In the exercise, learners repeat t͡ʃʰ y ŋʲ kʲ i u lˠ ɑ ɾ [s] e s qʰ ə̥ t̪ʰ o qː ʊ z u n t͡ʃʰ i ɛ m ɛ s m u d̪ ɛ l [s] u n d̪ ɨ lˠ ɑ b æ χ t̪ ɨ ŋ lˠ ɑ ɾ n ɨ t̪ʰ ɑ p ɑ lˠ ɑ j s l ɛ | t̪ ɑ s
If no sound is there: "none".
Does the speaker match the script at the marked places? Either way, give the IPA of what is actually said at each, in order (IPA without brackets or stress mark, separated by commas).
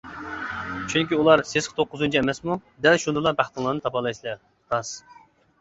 s, ʃ